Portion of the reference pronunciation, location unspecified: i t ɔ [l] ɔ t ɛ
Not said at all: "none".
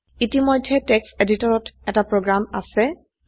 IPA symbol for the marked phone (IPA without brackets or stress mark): ɹ